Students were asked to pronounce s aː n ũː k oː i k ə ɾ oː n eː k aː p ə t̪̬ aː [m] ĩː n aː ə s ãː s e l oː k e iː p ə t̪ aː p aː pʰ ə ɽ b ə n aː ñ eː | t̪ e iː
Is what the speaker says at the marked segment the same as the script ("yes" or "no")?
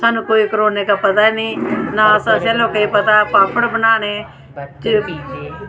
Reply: no